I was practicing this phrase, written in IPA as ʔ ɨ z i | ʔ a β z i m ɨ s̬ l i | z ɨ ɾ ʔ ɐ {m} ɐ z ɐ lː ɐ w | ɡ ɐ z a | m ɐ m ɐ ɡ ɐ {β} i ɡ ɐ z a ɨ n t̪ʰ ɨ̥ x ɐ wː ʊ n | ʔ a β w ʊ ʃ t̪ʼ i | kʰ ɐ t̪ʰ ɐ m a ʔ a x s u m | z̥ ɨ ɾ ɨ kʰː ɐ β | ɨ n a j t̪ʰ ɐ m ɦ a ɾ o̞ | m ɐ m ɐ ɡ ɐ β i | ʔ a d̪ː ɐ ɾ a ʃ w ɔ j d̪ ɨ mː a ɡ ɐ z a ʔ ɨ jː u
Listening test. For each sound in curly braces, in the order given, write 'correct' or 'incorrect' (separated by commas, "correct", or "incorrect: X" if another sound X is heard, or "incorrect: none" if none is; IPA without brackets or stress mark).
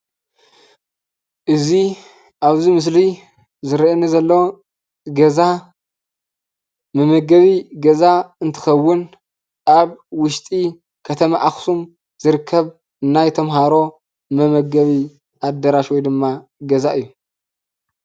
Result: incorrect: n, correct